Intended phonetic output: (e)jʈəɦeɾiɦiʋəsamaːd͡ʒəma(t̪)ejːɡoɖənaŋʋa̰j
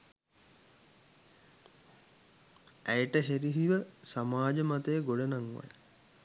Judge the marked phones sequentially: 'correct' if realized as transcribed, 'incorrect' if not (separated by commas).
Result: incorrect, correct